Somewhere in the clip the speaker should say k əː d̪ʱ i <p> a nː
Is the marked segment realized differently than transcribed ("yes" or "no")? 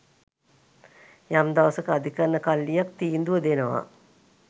yes